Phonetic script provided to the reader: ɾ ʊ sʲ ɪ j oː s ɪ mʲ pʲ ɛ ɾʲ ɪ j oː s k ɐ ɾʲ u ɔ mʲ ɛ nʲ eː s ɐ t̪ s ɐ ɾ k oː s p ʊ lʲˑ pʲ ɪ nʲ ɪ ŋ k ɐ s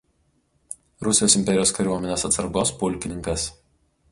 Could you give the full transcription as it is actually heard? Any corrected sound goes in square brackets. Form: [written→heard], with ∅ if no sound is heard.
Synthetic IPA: ɾ ʊ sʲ ɪ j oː s ɪ mʲ pʲ ɛ ɾʲ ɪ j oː s k ɐ ɾʲ u ɔ mʲ ɛ nʲ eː s ɐ t̪ s ɐ ɾ [k→ɡ] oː s p ʊ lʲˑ [pʲ→kʲ] ɪ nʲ ɪ ŋ k ɐ s